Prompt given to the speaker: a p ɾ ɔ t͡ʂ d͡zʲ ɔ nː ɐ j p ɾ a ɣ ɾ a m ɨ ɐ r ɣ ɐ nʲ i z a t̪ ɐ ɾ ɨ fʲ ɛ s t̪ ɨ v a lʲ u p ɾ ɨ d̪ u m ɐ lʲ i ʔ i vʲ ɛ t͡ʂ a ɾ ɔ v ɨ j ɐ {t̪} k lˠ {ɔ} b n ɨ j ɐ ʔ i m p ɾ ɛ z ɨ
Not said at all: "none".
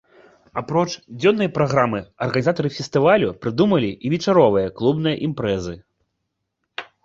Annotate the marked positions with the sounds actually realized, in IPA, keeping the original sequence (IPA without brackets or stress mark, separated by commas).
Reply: none, u